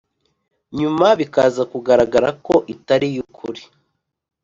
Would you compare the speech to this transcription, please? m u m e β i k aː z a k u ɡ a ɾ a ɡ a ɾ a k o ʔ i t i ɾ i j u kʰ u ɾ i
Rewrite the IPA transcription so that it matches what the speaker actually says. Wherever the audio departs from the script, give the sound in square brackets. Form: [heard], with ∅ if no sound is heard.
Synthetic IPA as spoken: [ɲ] u m [a] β i k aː z a k u ɡ a ɾ a ɡ a ɾ a k o ʔ i t [a] ɾ i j u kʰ u ɾ i